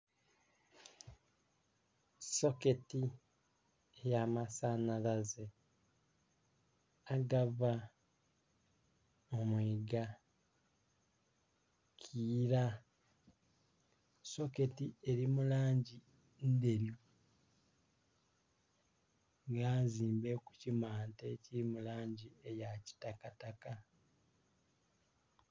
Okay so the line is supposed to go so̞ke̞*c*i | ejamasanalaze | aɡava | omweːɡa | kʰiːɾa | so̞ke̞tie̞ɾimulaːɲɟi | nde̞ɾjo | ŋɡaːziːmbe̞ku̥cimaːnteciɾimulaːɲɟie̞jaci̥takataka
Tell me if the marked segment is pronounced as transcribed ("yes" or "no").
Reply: no